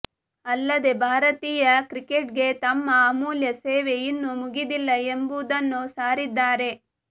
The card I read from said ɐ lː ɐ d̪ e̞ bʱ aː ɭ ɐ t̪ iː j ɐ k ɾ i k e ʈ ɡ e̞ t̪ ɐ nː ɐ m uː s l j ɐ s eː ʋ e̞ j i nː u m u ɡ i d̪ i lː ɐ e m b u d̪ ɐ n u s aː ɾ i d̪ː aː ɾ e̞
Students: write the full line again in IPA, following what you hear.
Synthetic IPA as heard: ɐ lː ɐ d̪ e̞ bʱ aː ɾ ɐ t̪ iː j ɐ k ɾ i k e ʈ ɡ e̞ t̪ ɐ mː ɐ m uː l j ɐ s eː ʋ e̞ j i nː u m u ɡ i d̪ i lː ɐ e m b u d̪ ɐ nː u s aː ɾ i d̪ː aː ɾ e̞

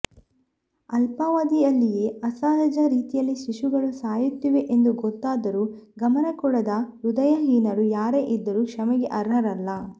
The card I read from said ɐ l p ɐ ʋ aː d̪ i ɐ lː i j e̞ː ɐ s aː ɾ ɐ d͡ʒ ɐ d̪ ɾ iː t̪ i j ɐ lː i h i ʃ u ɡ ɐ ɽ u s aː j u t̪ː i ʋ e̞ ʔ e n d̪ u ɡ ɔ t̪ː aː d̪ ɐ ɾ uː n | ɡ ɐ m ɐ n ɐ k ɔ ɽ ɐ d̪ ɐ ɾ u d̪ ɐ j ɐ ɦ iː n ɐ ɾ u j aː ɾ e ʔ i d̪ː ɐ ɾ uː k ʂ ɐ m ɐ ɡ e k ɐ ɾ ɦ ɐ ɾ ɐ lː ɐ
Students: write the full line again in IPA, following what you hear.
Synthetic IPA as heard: ɐ l p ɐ ʋ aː d̪ i ɐ lː i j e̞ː ɐ s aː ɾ ɐ d͡ʒ ɐ ɾ iː t̪ i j ɐ lː i ʃ i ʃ u ɡ ɐ ɭ u s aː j u t̪ː i ʋ e̞ ʔ e n d̪ u ɡ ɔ t̪ː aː d̪ ɐ ɾ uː | ɡ ɐ m ɐ n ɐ k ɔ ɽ ɐ d̪ ɐ ɾ u d̪ ɐ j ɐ ɦ iː n ɐ ɾ u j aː ɾ e ʔ i d̪ː ɐ ɾ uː k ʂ ɐ m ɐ ɡ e ʔ ɐ ɾ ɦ ɐ ɾ ɐ lː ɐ

